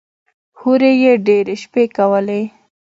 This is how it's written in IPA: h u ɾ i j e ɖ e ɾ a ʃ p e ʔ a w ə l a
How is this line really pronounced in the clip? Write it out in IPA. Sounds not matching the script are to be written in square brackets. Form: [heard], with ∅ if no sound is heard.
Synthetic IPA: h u ɾ [e] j e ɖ e ɾ [e] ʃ p e [k] a w ə l [e]